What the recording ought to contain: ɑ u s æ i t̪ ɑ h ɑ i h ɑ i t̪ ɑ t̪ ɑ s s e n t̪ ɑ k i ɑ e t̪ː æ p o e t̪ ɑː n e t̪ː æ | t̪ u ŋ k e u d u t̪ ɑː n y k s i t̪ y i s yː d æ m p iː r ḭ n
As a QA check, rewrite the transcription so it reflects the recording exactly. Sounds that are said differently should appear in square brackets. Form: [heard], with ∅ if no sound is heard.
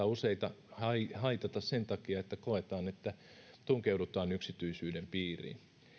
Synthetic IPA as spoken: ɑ u s [e] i t̪ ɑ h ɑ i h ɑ i t̪ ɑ t̪ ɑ s s e n t̪ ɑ k i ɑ e t̪ː æ [k] o e t̪ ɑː n e t̪ː æ | t̪ u ŋ k e u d u t̪ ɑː n y k s i t̪ y i s yː d [e] m p iː r ḭ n